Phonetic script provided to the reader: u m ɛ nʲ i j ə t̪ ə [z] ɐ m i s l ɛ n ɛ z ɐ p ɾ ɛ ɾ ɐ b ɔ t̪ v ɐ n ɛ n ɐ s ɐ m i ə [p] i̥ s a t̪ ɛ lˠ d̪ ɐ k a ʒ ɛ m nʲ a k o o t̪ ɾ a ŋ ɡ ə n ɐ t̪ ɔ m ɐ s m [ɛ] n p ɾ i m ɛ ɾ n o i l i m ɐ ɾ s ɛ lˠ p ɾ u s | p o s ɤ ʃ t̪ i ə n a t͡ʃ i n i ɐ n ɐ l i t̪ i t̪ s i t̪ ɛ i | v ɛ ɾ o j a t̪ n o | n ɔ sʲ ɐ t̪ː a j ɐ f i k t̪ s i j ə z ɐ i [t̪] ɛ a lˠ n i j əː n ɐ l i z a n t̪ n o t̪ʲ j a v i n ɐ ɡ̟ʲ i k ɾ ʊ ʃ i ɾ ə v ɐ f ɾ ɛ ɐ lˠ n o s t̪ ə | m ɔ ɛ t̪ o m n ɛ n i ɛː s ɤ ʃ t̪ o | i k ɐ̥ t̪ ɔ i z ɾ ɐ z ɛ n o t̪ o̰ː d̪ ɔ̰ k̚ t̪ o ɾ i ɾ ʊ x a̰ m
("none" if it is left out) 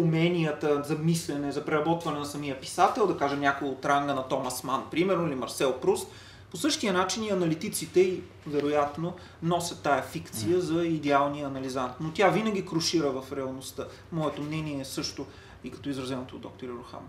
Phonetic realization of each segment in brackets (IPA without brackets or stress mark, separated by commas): z, p, a, d̪